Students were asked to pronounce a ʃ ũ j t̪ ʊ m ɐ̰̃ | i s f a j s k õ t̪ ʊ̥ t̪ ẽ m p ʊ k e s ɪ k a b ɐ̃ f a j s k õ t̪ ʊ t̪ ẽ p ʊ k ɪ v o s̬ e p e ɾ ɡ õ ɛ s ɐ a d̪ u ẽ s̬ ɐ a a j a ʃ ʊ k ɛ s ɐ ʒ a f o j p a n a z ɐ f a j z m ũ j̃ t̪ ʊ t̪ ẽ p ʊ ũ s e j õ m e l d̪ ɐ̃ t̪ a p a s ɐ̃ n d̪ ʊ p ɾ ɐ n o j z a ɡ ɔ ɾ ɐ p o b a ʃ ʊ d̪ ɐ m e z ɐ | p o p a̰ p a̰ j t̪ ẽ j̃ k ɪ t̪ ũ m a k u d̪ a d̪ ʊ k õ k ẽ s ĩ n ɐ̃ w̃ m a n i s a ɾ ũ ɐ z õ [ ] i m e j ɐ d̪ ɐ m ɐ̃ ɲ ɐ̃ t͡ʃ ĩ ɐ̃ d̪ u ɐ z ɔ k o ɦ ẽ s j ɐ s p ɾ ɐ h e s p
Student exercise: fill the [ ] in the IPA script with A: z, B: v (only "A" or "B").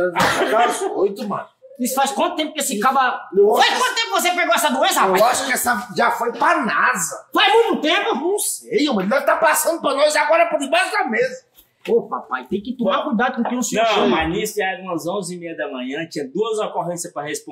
A